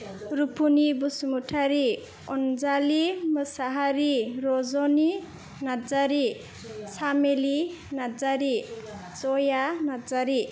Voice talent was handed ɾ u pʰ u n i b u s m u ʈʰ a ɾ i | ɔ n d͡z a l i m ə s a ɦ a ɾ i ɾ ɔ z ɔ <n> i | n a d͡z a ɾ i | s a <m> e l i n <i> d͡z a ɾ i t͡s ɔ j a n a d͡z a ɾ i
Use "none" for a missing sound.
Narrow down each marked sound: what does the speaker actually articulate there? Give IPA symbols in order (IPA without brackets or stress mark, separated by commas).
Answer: n, m, a